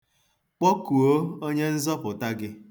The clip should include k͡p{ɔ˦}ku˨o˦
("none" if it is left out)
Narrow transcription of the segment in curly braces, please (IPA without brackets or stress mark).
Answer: ɔ˦